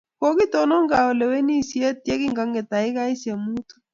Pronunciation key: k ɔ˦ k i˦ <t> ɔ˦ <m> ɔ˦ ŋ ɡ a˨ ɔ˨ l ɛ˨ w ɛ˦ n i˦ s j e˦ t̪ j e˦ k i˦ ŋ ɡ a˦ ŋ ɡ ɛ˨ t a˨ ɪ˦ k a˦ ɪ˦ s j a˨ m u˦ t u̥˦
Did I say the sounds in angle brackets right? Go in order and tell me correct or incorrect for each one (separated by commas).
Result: correct, incorrect